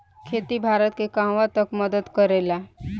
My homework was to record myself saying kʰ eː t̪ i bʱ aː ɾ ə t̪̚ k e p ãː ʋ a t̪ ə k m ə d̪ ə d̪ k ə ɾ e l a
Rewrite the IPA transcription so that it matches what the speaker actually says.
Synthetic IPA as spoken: kʰ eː t̪ i bʱ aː ɾ ə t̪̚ k e k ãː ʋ a t̪ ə k m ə d̪ ə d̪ k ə ɾ e l a